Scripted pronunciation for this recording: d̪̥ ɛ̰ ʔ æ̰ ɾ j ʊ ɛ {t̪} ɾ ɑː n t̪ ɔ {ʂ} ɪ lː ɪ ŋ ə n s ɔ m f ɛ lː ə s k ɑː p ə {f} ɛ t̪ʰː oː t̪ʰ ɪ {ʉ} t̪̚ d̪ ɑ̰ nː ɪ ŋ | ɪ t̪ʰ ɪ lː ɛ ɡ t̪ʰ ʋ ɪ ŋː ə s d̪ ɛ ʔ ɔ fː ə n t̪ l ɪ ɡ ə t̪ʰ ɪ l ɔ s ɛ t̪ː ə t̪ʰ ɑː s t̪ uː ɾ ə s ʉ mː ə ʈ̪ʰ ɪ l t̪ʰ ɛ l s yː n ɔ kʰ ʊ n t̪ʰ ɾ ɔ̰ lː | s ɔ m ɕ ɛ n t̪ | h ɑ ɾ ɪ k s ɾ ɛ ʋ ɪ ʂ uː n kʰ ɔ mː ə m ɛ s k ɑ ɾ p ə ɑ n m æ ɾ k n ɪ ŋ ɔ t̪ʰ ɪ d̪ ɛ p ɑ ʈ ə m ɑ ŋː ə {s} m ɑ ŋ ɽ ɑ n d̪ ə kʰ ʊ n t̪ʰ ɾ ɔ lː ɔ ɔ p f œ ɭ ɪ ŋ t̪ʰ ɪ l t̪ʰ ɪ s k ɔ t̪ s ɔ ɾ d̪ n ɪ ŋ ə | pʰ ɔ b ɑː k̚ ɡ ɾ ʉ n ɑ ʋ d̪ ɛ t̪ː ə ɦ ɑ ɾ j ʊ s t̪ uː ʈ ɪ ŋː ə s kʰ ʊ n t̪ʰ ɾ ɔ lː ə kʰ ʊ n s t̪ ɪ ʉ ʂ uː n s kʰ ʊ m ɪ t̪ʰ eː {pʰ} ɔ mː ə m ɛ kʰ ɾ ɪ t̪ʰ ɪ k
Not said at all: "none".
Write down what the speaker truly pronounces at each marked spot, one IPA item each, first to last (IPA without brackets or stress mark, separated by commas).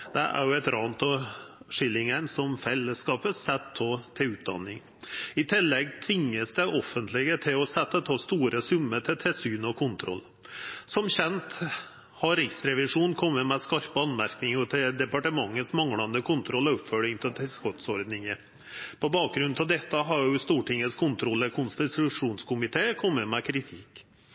t̪, ʂ, s, ʉː, s, kʰ